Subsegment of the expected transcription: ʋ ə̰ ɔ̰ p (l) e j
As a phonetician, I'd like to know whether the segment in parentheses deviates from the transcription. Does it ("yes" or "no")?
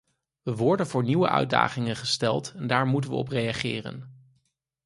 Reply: yes